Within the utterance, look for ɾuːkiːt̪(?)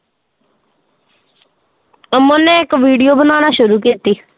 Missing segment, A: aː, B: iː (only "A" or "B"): B